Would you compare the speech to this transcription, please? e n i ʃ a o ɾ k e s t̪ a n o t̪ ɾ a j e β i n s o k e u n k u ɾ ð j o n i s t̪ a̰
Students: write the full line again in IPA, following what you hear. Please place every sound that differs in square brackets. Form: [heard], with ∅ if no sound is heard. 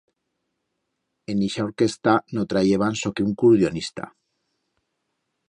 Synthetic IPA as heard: e n i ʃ a o ɾ k e s t̪ a n o t̪ ɾ a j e β [a] n s o k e u [ŋ] k u ɾ ð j o n i s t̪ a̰